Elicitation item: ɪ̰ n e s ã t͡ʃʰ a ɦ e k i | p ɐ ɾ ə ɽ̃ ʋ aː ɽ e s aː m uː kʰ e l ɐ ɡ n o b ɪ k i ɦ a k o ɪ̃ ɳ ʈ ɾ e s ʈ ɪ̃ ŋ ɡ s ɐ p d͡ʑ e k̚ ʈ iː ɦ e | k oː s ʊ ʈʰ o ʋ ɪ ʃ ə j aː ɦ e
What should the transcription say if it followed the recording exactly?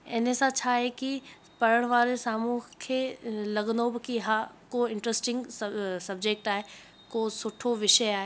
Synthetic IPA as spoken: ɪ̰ n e s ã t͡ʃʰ a ɦ e k i | p ɐ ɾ ə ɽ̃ ʋ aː ɾ e s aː m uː kʰ e l ɐ ɡ n o b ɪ k i ɦ a k o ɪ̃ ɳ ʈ ɾ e s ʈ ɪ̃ ŋ ɡ s ɐ b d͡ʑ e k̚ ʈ aː ɦ e | k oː s ʊ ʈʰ o ʋ ɪ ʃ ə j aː ɦ e